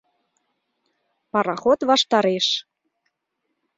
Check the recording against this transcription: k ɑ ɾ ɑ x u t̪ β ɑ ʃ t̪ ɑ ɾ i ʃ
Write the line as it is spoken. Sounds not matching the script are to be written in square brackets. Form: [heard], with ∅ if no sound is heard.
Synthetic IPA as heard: [p] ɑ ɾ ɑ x [o] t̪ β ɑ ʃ t̪ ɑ ɾ [e] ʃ